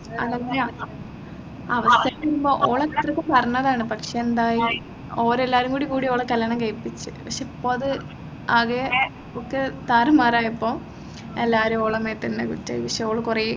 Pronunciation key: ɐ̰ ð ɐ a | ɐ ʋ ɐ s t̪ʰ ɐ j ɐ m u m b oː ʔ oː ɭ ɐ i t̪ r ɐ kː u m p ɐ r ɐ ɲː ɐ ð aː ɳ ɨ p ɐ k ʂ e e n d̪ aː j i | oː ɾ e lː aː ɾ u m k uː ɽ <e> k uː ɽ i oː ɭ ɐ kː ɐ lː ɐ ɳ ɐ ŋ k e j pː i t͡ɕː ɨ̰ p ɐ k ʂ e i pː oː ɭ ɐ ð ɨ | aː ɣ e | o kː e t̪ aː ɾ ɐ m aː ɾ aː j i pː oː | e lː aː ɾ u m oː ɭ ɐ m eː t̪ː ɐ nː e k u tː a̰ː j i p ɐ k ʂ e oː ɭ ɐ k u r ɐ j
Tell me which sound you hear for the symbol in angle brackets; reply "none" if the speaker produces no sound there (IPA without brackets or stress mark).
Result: i